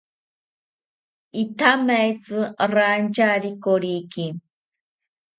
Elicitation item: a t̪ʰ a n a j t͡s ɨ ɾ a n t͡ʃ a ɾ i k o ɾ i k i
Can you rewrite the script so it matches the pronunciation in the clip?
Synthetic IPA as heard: i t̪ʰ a m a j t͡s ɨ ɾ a n t͡ʃ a ɾ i k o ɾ i k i